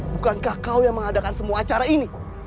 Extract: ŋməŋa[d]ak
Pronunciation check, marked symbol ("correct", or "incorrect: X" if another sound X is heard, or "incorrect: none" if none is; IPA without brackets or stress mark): correct